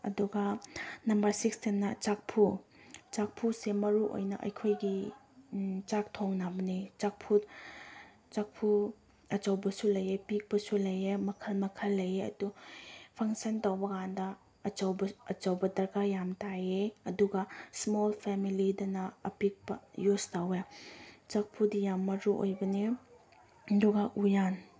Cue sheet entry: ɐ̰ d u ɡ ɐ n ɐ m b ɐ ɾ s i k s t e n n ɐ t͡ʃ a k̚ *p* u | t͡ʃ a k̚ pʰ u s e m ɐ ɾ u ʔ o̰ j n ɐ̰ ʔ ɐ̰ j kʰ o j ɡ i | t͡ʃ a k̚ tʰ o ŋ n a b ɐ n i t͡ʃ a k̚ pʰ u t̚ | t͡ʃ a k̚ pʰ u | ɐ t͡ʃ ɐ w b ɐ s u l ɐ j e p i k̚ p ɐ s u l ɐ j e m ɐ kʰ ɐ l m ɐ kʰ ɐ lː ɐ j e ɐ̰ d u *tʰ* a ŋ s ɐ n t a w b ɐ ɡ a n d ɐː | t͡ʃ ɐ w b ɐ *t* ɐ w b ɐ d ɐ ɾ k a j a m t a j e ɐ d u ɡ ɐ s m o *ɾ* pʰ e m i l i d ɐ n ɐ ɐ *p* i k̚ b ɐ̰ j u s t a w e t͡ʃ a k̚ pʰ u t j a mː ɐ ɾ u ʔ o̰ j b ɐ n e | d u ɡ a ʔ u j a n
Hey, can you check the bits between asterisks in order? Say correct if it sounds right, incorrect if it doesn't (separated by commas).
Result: incorrect, incorrect, incorrect, incorrect, correct